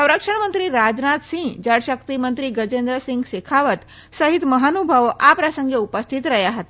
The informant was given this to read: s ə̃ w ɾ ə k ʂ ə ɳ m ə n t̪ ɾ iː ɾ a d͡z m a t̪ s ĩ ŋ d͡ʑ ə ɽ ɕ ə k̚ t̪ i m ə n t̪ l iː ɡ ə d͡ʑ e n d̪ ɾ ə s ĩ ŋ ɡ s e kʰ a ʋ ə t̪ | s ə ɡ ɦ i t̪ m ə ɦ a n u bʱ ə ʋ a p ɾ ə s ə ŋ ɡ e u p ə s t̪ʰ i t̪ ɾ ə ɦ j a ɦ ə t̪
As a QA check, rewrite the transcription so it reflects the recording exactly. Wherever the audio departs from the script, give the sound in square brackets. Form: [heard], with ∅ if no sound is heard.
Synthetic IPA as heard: s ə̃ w ɾ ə k ʂ ə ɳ m ə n t̪ ɾ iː ɾ a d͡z [n] a t̪ s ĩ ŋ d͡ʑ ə ɽ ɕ ə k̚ t̪ i m ə n t̪ [ɾ] iː ɡ ə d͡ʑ e n d̪ ɾ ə s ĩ ŋ ɡ s e kʰ a ʋ ə t̪ | s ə [∅] ɦ i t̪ m ə ɦ a n u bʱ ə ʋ a p ɾ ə s ə ŋ ɡ e u p ə s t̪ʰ i t̪ ɾ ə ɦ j a ɦ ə t̪